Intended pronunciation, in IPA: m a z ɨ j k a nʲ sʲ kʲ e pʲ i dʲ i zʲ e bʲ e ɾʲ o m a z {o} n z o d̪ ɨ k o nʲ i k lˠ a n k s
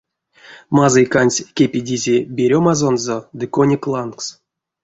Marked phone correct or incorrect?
correct